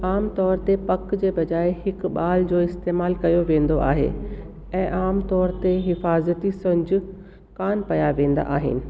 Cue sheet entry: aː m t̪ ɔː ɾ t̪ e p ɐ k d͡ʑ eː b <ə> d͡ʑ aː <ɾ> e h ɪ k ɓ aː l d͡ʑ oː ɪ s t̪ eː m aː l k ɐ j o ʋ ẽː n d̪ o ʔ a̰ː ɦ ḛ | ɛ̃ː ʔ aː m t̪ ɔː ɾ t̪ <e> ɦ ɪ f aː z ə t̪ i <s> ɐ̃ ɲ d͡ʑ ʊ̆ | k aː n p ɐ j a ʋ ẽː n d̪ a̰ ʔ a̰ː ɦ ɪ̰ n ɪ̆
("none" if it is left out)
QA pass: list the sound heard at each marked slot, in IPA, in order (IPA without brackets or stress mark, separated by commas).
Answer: ɐ, none, e, s